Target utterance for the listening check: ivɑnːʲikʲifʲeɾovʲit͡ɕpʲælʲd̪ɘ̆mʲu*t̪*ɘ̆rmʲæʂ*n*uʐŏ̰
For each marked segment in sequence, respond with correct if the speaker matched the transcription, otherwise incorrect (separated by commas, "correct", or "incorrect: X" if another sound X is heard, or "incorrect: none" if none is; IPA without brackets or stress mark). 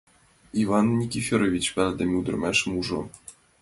incorrect: d̪, incorrect: m